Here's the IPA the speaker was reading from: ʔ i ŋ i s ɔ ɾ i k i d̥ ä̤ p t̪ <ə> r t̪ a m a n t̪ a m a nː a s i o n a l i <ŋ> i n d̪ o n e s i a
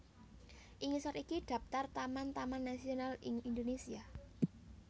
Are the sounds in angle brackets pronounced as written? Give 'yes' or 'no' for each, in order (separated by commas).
no, yes